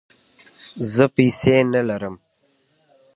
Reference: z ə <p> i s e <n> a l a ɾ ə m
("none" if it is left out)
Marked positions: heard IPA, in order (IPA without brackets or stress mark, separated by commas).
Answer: p, n